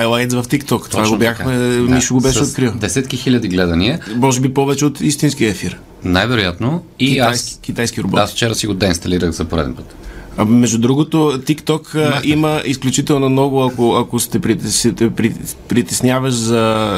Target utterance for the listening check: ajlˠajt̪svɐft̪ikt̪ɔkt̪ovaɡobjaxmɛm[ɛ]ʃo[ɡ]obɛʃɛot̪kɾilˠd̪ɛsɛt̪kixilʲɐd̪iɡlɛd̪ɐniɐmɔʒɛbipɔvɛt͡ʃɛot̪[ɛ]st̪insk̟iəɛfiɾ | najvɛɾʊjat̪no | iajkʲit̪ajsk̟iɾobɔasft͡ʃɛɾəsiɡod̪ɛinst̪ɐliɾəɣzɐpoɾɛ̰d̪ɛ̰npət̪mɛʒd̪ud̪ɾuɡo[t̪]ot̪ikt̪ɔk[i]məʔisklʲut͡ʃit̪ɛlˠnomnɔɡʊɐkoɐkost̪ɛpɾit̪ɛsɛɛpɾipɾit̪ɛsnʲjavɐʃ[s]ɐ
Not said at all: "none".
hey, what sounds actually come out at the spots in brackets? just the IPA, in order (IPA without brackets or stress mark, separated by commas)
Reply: i, ɡ, i, t̪, i, z